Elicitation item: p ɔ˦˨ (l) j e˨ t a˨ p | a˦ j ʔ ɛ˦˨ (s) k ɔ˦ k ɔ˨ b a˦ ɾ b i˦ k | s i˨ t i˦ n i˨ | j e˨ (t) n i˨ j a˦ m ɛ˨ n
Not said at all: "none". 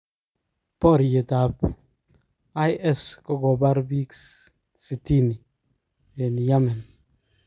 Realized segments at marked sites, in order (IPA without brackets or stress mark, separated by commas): ɾ, s, none